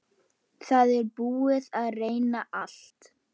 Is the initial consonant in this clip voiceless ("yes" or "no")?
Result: yes